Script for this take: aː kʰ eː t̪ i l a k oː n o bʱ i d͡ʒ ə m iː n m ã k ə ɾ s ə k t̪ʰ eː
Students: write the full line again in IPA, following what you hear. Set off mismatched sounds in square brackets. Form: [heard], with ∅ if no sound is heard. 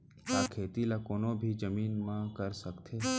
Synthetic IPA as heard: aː kʰ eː t̪ i l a k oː n o bʱ i d͡ʒ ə m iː n m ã k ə ɾ s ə k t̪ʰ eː